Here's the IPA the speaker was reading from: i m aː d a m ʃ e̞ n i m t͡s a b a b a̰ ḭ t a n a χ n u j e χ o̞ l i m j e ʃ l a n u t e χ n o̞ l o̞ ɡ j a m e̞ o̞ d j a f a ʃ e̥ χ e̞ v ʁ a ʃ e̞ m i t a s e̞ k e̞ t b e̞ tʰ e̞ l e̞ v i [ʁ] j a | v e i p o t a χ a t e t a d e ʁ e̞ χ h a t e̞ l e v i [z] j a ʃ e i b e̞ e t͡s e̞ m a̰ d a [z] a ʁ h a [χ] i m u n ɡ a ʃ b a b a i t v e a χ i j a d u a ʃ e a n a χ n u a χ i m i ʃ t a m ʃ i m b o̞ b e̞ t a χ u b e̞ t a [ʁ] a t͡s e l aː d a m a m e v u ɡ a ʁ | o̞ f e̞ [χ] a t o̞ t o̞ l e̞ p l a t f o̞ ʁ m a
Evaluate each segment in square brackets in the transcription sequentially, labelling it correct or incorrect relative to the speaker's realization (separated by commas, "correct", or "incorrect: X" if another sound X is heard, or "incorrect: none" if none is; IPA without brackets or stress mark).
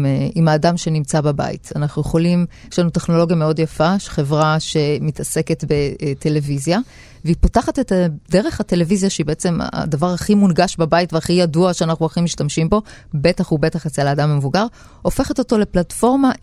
incorrect: z, correct, incorrect: v, correct, incorrect: χ, correct